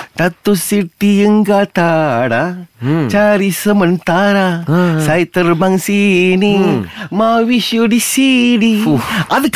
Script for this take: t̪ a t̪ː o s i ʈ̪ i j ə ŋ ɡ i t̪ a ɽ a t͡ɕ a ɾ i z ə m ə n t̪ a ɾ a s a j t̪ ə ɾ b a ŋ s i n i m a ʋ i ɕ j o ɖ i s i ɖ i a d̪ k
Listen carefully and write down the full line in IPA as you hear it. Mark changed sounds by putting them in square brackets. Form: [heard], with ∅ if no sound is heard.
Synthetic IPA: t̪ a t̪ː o s i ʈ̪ i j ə ŋ ɡ [a] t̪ a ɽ a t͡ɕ a ɾ i [s] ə m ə n t̪ a ɾ a s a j t̪ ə ɾ b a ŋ s i n i m a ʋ i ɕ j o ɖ i s i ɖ i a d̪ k